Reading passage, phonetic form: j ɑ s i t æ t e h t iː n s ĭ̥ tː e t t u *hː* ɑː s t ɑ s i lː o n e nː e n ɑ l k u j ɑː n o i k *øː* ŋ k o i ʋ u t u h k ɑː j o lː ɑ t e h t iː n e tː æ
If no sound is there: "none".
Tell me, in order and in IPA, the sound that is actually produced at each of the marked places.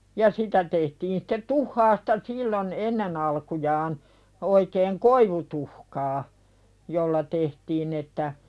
hː, eː

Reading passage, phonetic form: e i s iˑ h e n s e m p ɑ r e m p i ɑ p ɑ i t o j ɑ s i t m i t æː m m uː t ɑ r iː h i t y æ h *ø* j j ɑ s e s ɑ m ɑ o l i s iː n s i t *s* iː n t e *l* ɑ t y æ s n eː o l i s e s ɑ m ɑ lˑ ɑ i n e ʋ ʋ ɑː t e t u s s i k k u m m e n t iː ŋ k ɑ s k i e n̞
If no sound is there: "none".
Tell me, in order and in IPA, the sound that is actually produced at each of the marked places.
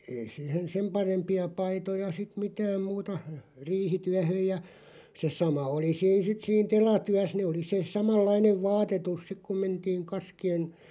ø, s, l

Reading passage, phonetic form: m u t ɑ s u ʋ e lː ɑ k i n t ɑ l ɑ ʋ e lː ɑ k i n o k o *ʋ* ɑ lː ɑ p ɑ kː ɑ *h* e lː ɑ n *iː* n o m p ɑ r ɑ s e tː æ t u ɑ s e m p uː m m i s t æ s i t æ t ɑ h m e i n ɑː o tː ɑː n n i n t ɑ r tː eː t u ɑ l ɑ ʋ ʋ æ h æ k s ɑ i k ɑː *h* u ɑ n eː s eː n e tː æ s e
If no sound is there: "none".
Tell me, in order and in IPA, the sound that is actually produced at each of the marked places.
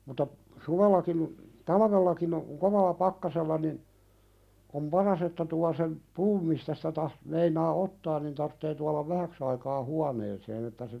ʋ, s, i, h

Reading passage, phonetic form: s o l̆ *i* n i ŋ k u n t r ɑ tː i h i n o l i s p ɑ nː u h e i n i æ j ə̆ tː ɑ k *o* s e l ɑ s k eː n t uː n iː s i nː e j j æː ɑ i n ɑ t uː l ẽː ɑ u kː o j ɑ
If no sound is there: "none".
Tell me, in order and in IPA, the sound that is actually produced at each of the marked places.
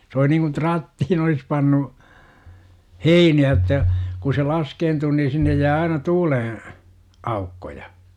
i, u

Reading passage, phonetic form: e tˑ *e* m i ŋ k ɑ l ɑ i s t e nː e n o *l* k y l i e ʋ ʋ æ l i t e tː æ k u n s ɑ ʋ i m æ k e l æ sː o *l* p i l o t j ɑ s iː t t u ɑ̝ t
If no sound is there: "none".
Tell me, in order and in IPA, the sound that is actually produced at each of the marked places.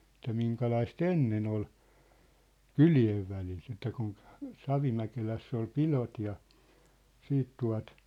æ, l, l

